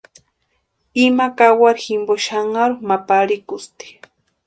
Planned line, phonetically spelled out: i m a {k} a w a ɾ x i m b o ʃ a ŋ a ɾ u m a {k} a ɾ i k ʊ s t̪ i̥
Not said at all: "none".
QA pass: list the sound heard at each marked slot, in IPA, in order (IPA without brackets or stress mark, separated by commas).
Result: k, p